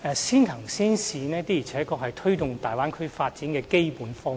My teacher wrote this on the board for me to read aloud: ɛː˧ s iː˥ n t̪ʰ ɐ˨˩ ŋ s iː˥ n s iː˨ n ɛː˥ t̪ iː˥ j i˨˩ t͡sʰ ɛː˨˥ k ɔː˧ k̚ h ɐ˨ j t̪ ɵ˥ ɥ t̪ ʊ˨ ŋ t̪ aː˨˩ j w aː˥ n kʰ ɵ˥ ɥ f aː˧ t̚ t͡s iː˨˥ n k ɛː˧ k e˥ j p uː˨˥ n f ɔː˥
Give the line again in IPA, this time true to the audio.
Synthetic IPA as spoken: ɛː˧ s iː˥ n t̪ʰ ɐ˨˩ ŋ s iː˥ n s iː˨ n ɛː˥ t̪ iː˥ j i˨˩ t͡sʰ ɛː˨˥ k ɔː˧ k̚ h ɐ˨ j t̪ʰ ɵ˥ ɥ t̪ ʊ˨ ŋ t̪ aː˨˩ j w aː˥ n kʰ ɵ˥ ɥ f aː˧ t̚ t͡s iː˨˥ n k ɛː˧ k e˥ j p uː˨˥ n f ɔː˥